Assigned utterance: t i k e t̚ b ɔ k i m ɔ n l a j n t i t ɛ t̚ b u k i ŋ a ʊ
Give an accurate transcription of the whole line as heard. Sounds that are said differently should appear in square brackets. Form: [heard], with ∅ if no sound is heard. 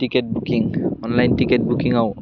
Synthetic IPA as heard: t i k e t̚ b [u] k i [ŋ] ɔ n l a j n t i [k] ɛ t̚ b u k i ŋ a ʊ